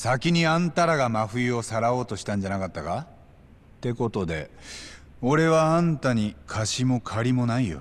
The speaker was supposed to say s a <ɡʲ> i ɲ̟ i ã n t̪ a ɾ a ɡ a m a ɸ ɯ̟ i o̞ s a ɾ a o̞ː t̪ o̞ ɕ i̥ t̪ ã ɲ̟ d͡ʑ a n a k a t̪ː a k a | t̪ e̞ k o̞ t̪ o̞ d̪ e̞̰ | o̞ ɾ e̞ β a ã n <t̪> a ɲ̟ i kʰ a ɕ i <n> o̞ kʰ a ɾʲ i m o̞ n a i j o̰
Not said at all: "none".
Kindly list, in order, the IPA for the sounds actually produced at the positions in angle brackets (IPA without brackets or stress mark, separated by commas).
kʲ, t̪, m